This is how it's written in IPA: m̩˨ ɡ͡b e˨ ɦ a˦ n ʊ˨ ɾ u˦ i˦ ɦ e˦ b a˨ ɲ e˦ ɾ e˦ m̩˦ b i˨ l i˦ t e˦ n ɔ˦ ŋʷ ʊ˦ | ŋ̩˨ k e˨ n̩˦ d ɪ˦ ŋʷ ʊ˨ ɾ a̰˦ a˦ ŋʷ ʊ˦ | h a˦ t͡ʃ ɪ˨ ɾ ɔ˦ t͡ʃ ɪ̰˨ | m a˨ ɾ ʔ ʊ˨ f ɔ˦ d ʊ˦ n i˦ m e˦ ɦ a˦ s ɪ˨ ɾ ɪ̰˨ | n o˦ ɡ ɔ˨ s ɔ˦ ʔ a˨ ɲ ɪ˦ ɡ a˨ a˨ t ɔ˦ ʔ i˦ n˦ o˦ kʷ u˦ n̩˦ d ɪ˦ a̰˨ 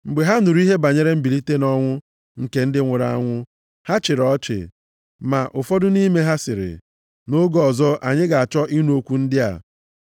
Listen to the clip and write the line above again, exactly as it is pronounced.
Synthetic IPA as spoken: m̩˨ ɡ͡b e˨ ɦ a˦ n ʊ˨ ɾ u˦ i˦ ɦ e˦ b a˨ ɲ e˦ ɾ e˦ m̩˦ b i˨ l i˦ t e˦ n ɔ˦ ŋʷ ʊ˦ | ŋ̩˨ k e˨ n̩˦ d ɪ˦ ŋʷ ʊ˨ ɾ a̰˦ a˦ ŋʷ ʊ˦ | h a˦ t͡ʃ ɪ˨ ɾ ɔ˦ t͡ʃ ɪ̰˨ | m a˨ ʔ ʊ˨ f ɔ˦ d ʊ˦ n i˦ m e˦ ɦ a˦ s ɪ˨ ɾ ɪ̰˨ | n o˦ ɡ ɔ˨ z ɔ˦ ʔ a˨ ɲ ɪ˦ ɡ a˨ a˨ t͡ʃ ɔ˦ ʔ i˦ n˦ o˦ kʷ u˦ n̩˦ d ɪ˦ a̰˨